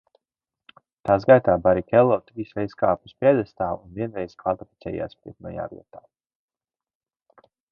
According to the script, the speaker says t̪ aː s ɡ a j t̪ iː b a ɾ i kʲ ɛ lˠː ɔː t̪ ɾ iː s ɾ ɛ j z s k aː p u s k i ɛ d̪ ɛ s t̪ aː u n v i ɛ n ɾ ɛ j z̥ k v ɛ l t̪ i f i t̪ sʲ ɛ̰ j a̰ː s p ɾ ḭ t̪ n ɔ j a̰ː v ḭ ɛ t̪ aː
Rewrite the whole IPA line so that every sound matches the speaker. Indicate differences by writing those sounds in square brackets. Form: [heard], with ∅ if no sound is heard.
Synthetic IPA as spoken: t̪ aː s ɡ a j t̪ [aː] b a ɾ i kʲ ɛ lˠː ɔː t̪ ɾ iː s ɾ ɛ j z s k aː p u s [p] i ɛ d̪ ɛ s t̪ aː u n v i ɛ n ɾ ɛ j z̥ k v [a] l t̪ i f i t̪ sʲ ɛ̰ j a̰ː s p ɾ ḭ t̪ n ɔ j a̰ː v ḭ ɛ t̪ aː